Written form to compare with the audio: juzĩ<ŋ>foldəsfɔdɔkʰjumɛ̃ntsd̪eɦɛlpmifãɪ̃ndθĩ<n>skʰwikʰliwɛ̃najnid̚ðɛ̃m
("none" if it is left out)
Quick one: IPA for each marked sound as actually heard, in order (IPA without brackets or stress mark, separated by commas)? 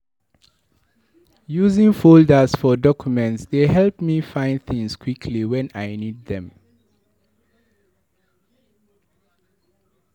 ŋ, ŋ